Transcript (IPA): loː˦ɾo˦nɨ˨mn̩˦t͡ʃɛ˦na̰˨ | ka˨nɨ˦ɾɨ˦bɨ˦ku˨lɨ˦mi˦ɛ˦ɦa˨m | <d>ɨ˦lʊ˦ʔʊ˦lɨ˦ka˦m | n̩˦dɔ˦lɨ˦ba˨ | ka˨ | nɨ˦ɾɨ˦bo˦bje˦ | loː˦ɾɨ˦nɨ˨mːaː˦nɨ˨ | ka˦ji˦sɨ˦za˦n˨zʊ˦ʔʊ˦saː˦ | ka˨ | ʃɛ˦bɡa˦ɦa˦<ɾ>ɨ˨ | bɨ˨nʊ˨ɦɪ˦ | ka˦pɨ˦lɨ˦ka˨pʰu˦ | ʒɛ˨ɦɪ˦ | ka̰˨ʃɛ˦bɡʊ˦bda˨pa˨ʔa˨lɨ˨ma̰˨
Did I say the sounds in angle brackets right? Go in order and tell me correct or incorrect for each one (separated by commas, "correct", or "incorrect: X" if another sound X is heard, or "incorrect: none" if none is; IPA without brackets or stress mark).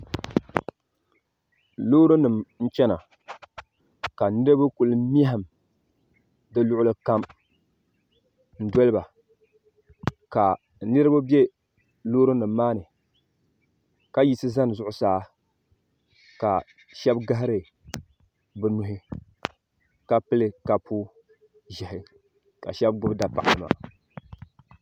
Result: correct, correct